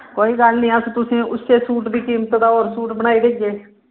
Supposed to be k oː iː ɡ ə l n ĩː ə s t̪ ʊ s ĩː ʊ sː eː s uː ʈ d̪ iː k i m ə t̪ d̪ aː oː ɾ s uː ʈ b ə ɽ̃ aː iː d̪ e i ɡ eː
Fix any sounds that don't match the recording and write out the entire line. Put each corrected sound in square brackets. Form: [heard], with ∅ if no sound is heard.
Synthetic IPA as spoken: k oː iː ɡ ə l n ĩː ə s t̪ ʊ s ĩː ʊ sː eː s uː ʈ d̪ iː k [iː] m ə t̪ d̪ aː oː ɾ s uː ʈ b ə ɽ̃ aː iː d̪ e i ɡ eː